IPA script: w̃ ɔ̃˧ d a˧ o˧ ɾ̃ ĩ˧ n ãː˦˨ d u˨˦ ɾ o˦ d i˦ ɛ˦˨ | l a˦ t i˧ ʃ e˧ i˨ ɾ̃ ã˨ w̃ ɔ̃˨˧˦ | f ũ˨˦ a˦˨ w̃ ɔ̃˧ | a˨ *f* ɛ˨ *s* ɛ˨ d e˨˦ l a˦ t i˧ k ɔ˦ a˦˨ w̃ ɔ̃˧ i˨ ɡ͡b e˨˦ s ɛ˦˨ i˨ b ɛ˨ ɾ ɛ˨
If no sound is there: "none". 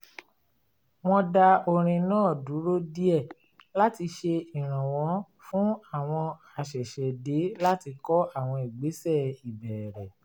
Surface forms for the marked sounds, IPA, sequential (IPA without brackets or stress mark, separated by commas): ʃ, ʃ